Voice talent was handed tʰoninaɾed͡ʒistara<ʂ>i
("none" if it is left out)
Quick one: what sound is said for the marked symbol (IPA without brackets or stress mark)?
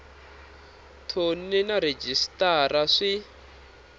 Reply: ʂ